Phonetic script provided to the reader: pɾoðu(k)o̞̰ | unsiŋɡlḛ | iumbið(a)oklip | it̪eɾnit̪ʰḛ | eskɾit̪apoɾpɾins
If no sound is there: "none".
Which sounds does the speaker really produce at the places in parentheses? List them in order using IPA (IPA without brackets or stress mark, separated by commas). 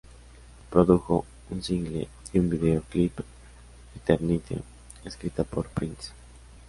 x, e